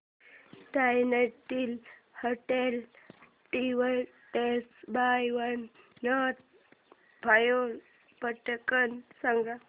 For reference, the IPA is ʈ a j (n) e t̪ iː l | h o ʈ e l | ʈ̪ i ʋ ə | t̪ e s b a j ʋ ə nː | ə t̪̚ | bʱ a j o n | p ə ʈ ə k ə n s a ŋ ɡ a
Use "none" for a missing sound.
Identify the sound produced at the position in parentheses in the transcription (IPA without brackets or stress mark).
n